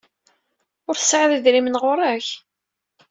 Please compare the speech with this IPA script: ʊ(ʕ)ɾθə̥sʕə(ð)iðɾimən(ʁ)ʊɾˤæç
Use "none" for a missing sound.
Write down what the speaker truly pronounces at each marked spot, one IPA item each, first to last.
none, ð, ʁ

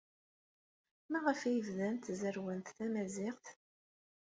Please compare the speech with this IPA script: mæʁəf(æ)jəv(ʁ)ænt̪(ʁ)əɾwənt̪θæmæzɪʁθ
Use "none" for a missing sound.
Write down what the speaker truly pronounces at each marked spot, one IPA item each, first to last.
æ, ð, z

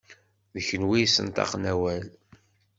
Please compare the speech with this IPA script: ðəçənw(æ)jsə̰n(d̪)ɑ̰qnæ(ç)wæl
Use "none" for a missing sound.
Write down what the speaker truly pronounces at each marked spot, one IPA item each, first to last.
i, t̪, none

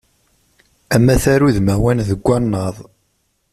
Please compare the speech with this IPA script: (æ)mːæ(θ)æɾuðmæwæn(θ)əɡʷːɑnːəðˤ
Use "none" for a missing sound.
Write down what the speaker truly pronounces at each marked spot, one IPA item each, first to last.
æ, θ, ð

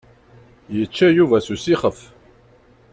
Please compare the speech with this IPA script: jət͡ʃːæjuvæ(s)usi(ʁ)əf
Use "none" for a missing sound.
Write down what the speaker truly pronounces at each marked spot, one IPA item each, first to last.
s, χ

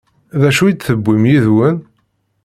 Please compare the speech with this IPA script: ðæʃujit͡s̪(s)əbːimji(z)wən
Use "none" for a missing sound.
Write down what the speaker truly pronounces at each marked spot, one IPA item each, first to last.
θ, ð

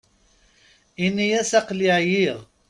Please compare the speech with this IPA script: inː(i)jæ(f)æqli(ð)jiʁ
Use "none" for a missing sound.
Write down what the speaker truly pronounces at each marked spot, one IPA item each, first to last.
i, s, ʕ

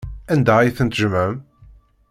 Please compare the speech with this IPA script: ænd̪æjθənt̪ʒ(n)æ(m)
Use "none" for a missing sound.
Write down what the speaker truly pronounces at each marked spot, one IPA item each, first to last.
m, m

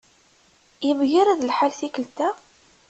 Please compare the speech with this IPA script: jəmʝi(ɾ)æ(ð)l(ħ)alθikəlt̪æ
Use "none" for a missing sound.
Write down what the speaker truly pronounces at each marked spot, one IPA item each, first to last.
ɾ, ð, ħ

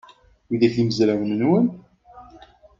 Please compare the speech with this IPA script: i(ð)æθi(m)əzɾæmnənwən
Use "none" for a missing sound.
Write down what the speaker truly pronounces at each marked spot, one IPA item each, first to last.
ð, m

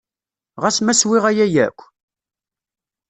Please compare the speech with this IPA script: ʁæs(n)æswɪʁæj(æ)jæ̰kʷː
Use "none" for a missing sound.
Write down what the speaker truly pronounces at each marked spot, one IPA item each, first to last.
m, æ

